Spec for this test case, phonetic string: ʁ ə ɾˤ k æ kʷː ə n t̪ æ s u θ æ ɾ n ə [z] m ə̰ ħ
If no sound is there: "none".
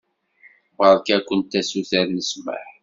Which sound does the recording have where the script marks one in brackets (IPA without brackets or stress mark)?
s